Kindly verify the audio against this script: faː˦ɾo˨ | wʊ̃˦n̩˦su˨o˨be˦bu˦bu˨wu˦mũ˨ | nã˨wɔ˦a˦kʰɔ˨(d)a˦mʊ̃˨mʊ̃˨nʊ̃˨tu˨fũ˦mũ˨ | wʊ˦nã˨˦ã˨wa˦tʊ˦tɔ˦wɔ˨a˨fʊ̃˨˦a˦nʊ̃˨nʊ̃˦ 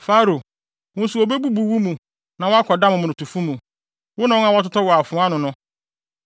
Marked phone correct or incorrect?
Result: correct